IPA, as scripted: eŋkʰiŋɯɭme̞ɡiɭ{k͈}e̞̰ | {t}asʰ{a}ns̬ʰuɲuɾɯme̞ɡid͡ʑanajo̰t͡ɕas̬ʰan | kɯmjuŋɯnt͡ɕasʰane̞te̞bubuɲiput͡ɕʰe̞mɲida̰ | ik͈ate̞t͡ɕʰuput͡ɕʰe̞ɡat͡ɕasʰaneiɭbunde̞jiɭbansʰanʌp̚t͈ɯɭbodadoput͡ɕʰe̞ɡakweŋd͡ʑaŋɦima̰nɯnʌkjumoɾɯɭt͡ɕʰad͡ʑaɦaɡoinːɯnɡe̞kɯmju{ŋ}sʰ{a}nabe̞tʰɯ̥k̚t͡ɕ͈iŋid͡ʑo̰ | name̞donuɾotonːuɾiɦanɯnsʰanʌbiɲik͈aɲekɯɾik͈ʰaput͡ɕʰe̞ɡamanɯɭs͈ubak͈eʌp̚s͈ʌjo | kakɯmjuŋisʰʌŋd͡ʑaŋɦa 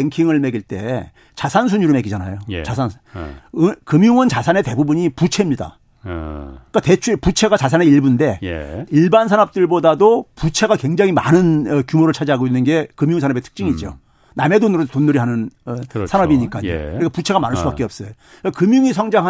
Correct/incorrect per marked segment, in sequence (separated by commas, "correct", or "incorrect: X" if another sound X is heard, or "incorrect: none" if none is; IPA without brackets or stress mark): incorrect: t͈, incorrect: t͡ɕ, correct, correct, correct